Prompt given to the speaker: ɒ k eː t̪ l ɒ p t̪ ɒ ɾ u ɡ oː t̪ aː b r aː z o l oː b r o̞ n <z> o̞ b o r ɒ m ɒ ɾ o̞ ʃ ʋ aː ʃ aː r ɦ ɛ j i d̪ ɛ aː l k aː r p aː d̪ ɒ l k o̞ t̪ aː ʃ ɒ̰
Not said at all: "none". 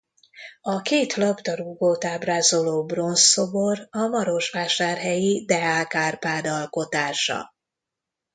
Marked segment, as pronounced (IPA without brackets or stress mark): s